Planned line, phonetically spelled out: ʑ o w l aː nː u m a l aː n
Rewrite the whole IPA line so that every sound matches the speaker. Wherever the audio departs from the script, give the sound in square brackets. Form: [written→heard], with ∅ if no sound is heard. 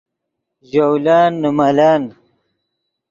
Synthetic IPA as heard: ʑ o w l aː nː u m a l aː n